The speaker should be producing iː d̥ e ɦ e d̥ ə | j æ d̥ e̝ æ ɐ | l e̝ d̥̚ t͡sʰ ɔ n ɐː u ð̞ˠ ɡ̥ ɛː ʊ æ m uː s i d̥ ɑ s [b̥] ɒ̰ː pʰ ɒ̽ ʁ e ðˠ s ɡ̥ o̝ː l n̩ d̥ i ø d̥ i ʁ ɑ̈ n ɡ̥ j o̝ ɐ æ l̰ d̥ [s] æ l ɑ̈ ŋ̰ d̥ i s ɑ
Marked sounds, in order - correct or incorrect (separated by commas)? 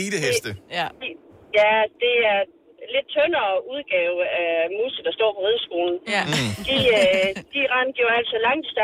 incorrect, correct